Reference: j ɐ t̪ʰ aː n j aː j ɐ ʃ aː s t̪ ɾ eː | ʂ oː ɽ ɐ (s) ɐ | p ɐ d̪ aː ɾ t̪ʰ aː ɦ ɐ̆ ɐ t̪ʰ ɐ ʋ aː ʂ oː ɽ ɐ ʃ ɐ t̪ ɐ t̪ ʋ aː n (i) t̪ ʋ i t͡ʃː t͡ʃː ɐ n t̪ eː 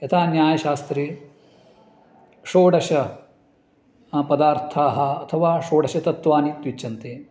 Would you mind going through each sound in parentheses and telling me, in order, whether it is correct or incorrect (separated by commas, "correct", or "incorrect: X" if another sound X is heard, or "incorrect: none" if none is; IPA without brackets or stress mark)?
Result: incorrect: ʃ, correct